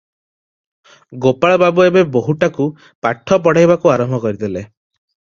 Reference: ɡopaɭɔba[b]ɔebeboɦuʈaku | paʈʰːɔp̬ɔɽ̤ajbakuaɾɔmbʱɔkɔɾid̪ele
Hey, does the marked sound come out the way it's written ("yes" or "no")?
yes